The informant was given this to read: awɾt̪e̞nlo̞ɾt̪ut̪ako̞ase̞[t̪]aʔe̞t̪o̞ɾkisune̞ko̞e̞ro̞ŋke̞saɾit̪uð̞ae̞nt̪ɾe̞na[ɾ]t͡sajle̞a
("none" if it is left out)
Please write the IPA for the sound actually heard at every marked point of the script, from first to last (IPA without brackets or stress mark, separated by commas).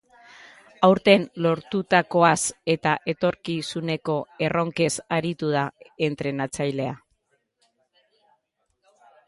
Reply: t̪, none